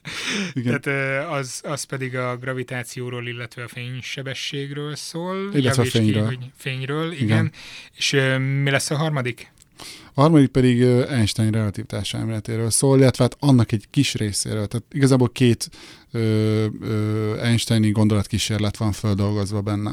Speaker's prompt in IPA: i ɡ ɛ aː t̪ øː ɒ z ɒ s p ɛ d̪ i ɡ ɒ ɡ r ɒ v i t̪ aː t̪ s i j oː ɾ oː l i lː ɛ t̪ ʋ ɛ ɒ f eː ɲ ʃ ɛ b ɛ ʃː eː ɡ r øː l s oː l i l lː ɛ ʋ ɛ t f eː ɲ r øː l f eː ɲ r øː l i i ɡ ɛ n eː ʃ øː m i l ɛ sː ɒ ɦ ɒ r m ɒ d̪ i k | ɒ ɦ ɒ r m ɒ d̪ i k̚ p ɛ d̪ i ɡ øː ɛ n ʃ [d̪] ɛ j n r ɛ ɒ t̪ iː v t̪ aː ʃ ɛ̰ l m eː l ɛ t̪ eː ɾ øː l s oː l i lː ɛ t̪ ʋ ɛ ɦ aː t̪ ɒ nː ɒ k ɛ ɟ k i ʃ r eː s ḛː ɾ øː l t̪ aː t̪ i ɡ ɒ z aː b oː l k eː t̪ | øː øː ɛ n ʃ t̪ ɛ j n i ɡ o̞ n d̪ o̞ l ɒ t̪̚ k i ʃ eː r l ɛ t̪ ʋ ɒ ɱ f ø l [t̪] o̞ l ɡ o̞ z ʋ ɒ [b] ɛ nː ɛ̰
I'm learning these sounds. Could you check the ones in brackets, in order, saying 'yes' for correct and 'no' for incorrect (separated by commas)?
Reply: no, no, yes